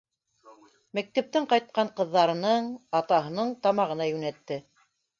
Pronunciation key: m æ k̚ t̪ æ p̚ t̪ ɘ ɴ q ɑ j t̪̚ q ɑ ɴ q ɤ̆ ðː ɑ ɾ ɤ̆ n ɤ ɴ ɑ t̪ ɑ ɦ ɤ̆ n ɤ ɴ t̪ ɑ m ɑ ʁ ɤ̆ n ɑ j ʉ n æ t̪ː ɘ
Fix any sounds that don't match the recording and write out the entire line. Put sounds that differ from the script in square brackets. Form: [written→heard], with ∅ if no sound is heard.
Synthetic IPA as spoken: m æ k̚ t̪ æ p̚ t̪ ɘ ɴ q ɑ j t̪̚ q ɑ ɴ q ɤ̆ ðː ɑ ɾ ɤ̆ n ɤ ɴ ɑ t̪ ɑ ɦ ɤ̆ n ɤ ɴ t̪ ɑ m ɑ ʁ ɤ̆ n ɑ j ʉ n æ t̪ː ɘ